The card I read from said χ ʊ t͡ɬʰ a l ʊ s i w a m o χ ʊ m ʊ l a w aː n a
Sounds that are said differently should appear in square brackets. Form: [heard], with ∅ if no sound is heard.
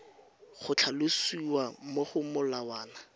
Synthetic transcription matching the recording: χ ʊ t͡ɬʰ a l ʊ s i w a m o χ ʊ m ʊ l a w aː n a

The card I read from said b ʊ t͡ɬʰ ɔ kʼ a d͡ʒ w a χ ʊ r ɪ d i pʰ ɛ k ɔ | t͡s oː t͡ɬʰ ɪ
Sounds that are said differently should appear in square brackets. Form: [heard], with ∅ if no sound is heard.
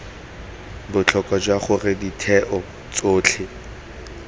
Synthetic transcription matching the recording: b ʊ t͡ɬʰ ɔ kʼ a d͡ʒ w a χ ʊ r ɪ d i [tʰ] ɛ [ʔ] ɔ | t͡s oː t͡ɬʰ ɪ

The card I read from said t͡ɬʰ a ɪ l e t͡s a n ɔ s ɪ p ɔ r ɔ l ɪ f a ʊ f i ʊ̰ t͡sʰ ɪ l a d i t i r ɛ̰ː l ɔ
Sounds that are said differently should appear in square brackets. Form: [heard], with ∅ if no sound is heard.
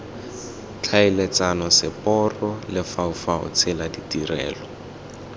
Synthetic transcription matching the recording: t͡ɬʰ a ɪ l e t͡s a n ɔ s ɪ p ɔ r ɔ l ɪ f a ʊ f [a] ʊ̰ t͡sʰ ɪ l a d i t i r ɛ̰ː l ɔ

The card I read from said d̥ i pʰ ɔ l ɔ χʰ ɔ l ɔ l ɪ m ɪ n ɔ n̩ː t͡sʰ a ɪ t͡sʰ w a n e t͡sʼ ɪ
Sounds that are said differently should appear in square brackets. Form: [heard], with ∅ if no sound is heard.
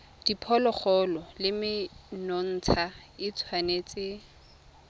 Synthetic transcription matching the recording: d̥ i pʰ ɔ l ɔ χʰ ɔ l ɔ l ɪ m ɪ n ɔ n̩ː t͡sʰ a ɪ t͡sʰ w a n e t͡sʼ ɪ

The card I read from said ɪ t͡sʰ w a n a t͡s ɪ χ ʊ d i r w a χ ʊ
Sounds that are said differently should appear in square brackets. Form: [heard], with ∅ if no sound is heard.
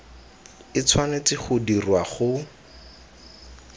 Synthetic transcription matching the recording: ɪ t͡sʰ w a n [e] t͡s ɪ χ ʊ d i r w a χ ʊ

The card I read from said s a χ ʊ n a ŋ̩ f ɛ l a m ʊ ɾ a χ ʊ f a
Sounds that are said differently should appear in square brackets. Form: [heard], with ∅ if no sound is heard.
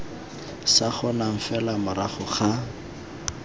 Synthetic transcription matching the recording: s a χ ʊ n a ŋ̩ f ɛ l a m ʊ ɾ a χ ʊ [χ] a

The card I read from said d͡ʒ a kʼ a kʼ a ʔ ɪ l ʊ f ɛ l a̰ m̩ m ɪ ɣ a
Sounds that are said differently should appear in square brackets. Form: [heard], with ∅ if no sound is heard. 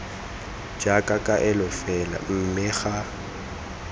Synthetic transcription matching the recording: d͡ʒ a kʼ a kʼ a ʔ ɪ l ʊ f ɛ l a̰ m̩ m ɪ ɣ a

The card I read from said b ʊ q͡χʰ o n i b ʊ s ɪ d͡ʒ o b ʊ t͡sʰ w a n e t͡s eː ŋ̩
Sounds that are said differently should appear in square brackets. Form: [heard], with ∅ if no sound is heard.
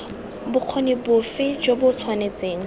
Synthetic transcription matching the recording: b ʊ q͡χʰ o n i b ʊ [f] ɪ d͡ʒ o b ʊ t͡sʰ w a n e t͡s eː ŋ̩

